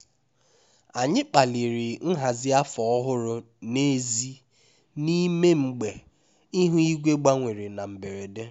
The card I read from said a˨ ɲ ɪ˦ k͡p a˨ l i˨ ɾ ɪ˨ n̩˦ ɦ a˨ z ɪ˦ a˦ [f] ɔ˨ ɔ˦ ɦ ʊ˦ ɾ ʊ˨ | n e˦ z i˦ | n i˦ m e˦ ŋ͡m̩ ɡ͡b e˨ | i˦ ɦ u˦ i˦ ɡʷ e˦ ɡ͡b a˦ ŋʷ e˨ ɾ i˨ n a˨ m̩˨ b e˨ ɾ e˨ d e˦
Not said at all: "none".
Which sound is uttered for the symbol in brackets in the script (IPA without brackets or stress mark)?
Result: f